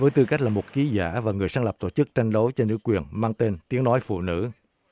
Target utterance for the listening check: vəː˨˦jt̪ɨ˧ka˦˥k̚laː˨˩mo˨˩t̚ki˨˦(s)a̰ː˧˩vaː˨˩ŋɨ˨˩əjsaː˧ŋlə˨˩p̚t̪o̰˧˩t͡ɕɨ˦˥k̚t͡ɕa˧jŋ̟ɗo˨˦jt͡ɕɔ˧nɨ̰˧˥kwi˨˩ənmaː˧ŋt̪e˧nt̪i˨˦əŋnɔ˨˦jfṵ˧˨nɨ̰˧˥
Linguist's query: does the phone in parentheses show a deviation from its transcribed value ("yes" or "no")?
yes